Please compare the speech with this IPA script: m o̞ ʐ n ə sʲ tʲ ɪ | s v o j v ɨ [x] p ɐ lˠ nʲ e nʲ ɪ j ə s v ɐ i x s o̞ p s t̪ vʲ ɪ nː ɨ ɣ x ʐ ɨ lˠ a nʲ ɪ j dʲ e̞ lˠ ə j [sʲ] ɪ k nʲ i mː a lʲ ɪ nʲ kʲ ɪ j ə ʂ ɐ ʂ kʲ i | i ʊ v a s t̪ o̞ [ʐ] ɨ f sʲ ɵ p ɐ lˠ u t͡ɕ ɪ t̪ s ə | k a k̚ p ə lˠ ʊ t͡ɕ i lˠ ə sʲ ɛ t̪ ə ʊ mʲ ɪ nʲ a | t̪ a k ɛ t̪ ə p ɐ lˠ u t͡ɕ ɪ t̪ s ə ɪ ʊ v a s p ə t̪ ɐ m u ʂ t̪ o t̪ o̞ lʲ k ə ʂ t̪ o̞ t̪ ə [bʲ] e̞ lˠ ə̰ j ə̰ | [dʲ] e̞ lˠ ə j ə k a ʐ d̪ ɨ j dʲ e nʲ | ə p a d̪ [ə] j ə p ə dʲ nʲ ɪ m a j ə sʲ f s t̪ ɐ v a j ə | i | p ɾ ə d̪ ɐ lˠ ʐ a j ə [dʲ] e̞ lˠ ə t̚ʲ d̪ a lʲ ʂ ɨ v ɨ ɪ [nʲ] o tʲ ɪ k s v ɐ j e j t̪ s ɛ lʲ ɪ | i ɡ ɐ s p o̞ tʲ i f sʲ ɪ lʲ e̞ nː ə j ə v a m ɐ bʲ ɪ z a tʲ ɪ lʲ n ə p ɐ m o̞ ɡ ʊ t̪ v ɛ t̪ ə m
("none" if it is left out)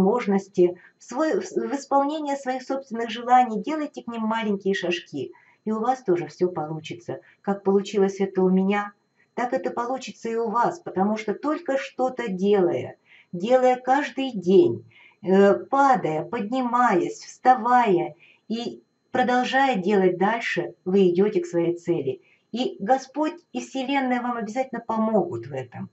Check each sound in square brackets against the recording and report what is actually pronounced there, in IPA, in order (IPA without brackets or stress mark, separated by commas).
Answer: s, tʲ, ʐ, dʲ, dʲ, ə, dʲ, dʲ